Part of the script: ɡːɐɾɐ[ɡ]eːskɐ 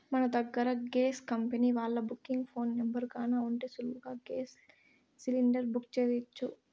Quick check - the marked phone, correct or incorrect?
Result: correct